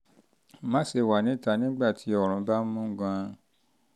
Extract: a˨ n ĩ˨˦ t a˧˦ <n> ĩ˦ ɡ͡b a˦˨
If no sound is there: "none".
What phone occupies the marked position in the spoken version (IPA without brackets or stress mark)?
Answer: n